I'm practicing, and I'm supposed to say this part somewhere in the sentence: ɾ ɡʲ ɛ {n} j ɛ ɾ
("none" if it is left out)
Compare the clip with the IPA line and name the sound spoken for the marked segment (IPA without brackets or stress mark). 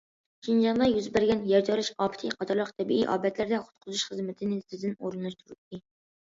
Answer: n